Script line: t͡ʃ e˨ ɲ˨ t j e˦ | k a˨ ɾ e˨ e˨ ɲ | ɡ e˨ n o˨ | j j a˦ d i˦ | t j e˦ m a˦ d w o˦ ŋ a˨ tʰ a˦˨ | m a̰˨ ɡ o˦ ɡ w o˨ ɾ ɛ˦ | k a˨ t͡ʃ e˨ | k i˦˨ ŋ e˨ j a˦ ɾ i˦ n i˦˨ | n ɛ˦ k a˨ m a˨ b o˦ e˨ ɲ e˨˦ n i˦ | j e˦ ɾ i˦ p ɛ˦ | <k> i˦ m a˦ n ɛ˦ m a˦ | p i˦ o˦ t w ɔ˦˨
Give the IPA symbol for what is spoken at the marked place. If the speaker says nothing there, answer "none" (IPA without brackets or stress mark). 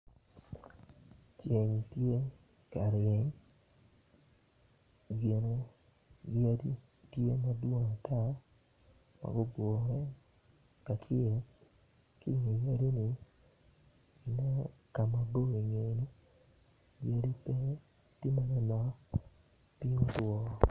t